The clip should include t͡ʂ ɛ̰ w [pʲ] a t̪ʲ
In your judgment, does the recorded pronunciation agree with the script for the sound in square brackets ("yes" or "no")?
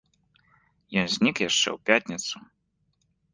yes